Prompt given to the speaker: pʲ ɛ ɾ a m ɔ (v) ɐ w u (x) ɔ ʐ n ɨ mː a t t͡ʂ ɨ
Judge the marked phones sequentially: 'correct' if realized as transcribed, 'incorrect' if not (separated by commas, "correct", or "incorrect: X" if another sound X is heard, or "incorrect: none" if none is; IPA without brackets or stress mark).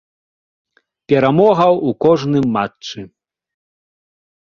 incorrect: ɣ, incorrect: k